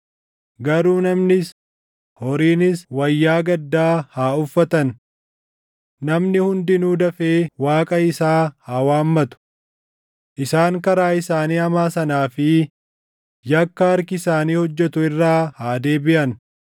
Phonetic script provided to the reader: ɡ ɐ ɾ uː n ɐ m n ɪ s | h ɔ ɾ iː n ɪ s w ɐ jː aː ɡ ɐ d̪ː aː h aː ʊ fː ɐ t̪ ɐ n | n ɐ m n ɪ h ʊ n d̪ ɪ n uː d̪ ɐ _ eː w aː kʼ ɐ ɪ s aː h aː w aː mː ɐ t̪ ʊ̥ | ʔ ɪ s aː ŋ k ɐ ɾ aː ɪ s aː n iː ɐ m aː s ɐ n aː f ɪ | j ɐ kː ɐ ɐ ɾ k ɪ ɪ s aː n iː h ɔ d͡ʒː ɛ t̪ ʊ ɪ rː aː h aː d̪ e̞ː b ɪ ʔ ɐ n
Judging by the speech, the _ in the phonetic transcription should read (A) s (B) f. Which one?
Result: B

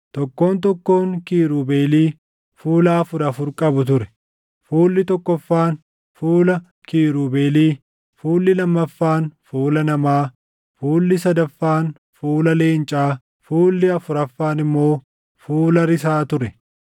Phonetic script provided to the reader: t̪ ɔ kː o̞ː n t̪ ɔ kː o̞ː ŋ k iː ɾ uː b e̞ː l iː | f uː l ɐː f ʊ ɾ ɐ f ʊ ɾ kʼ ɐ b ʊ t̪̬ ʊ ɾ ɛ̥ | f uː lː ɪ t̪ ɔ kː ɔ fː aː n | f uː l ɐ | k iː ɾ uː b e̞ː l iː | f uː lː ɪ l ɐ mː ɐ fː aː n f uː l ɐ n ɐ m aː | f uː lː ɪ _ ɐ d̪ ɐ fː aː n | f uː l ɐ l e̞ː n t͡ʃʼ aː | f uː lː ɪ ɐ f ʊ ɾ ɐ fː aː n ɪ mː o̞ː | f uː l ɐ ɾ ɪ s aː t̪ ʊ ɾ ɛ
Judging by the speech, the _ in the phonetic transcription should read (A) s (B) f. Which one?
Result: A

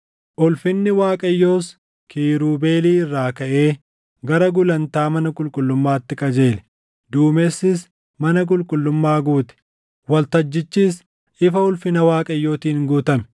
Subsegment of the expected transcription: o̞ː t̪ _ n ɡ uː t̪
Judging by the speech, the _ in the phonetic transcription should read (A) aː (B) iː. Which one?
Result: B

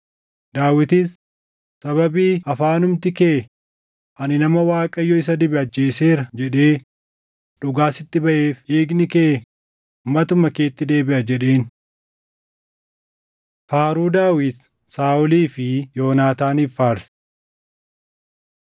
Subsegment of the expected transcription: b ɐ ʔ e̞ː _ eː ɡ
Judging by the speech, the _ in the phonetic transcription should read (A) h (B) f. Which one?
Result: B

